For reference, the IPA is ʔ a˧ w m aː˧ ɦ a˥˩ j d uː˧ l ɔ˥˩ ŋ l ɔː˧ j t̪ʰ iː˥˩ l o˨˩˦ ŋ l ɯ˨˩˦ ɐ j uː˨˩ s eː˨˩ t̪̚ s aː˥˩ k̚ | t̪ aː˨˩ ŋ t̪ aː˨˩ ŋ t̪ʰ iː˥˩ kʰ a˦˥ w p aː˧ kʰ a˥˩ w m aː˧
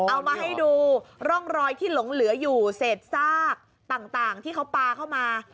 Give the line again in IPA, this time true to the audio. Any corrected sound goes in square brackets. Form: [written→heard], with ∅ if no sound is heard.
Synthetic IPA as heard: ʔ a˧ w m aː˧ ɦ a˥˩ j d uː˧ [l→ɾ] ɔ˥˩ ŋ [l→ɾ] ɔː˧ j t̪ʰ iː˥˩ l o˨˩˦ ŋ l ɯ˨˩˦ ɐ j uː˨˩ s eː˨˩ t̪̚ s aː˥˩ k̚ | t̪ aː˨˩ ŋ t̪ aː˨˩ ŋ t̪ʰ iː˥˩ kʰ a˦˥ w p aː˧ kʰ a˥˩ w m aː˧